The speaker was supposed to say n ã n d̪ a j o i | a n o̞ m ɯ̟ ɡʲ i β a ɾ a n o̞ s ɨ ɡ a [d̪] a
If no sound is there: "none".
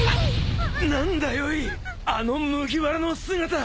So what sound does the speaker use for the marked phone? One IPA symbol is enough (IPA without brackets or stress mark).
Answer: t̪